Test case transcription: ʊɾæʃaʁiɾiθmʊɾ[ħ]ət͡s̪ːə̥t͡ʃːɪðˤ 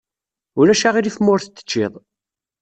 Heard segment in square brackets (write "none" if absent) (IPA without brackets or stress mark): θ